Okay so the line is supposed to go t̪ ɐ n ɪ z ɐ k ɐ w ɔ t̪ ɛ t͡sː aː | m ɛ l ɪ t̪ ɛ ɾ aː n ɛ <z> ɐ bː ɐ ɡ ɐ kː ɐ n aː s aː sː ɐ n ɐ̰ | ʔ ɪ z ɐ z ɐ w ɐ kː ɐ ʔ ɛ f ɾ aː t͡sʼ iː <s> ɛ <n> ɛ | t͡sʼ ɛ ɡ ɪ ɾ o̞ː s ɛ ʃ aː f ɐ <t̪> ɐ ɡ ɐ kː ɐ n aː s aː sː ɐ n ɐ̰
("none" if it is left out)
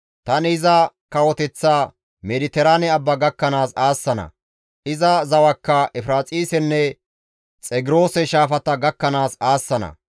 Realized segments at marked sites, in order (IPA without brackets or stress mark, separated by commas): none, s, nː, t̪